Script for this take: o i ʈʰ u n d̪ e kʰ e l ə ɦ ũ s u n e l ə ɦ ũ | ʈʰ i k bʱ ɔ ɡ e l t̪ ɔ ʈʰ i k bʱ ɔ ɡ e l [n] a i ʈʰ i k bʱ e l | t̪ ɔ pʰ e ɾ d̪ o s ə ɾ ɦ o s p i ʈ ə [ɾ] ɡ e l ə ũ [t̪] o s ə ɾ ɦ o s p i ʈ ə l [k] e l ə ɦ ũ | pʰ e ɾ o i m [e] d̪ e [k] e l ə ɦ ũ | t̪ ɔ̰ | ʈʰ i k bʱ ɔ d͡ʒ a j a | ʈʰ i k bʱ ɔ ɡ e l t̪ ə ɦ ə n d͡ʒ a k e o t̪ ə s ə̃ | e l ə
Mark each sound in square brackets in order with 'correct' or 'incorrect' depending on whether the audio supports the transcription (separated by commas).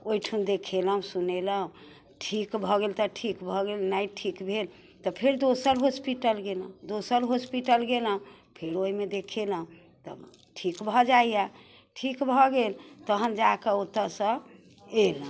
correct, incorrect, incorrect, incorrect, correct, incorrect